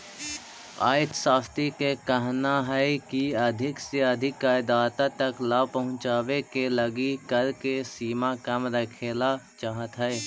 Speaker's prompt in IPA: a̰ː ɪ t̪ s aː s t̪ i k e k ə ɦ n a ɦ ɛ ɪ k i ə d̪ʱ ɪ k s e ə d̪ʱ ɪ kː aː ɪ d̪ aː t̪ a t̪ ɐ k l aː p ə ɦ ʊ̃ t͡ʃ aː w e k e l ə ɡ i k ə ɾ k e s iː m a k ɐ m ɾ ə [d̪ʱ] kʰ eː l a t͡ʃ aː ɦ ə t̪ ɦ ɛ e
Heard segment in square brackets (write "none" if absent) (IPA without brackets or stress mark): none